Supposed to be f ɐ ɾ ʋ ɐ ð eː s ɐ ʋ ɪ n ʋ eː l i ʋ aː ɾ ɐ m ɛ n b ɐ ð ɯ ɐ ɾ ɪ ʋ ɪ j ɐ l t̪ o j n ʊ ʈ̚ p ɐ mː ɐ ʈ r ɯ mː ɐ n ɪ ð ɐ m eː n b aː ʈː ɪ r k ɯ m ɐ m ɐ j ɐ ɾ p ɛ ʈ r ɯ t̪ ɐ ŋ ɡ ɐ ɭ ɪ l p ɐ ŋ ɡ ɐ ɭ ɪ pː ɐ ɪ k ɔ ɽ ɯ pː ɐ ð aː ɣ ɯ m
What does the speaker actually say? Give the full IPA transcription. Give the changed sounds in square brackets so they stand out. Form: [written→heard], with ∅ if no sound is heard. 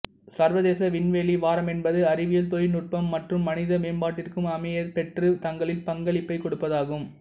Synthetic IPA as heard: [f→s] ɐ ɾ ʋ ɐ ð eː s ɐ ʋ ɪ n ʋ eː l i ʋ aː ɾ ɐ m ɛ n b ɐ ð ɯ ɐ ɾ ɪ ʋ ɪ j ɐ l t̪ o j n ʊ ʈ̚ p ɐ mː ɐ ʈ r ɯ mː ɐ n ɪ ð ɐ m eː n b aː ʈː ɪ r k ɯ m ɐ m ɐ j ɐ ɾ p ɛ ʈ r ɯ t̪ ɐ ŋ ɡ ɐ ɭ ɪ l p ɐ ŋ ɡ ɐ ɭ ɪ pː ɐ ɪ k ɔ ɽ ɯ pː ɐ ð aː ɣ ɯ m

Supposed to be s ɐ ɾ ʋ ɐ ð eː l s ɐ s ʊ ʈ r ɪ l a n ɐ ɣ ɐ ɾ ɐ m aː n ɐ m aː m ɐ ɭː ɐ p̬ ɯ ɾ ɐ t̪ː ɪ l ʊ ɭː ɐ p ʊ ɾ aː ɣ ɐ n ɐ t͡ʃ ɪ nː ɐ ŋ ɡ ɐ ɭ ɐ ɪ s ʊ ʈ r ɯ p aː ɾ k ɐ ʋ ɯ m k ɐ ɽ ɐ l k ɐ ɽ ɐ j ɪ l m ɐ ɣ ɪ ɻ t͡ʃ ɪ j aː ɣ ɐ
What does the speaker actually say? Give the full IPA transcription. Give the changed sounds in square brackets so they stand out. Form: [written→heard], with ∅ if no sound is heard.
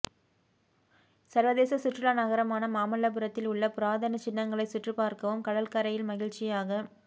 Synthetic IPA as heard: s ɐ ɾ ʋ ɐ ð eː [l→∅] s ɐ s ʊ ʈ r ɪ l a n ɐ ɣ ɐ ɾ ɐ m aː n ɐ m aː m ɐ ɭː ɐ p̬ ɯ ɾ ɐ t̪ː ɪ l ʊ ɭː ɐ p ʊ ɾ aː [ɣ→ð] ɐ n ɐ t͡ʃ ɪ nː ɐ ŋ ɡ ɐ ɭ ɐ ɪ s ʊ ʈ r ɯ p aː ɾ k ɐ ʋ ɯ m k ɐ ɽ ɐ l k ɐ [ɽ→ɾ] ɐ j ɪ l m ɐ ɣ ɪ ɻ t͡ʃ ɪ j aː ɣ ɐ

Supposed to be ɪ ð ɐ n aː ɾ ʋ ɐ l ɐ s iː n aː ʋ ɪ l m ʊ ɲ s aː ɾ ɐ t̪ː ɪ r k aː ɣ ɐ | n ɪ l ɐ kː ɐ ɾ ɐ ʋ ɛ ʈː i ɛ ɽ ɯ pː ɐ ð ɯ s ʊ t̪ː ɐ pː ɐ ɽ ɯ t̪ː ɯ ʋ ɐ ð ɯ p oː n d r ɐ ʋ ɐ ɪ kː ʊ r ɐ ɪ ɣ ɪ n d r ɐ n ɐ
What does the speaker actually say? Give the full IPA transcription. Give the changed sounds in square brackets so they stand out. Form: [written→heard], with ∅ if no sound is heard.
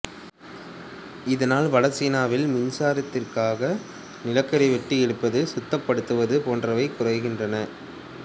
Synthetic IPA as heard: ɪ ð ɐ n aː [ɾ→l] ʋ ɐ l ɐ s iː n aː ʋ ɪ l m ʊ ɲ s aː ɾ ɐ t̪ː ɪ r k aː ɣ ɐ | n ɪ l ɐ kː ɐ ɾ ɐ ʋ ɛ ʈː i ɛ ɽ ɯ pː ɐ ð ɯ s ʊ t̪ː ɐ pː ɐ ɽ ɯ t̪ː ɯ ʋ ɐ ð ɯ p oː n d r ɐ ʋ ɐ ɪ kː ʊ r ɐ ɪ ɣ ɪ n d r ɐ n ɐ

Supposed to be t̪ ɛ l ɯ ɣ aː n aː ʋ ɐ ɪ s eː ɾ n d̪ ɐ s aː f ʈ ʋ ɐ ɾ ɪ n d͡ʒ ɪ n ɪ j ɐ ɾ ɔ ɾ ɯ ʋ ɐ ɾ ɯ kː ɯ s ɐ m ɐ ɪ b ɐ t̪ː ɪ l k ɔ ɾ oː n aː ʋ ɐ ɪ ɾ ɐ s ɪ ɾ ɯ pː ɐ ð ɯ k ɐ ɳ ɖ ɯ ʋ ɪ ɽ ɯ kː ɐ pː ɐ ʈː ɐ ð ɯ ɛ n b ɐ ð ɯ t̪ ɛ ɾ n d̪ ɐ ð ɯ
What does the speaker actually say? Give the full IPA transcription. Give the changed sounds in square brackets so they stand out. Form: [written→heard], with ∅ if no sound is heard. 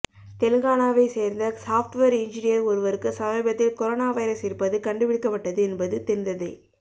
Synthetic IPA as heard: t̪ ɛ l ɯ ɣ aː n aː ʋ ɐ ɪ s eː ɾ n d̪ ɐ s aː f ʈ ʋ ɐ ɾ ɪ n d͡ʒ ɪ n ɪ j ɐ ɾ ɔ ɾ ɯ ʋ ɐ ɾ ɯ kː ɯ s ɐ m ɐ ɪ b ɐ t̪ː ɪ l k ɔ ɾ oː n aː ʋ ɐ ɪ ɾ ɐ s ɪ ɾ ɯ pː ɐ ð ɯ k ɐ ɳ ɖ ɯ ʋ ɪ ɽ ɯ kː ɐ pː ɐ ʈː ɐ ð ɯ ɛ n b ɐ ð ɯ t̪ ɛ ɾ n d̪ ɐ ð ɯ

